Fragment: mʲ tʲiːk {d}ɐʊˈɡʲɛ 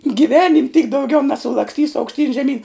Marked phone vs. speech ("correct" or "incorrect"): correct